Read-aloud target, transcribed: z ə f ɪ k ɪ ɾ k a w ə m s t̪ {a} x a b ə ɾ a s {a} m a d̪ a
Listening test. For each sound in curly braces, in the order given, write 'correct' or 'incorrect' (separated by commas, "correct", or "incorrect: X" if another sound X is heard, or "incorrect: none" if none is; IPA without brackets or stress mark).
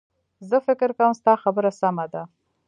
incorrect: ɑ, correct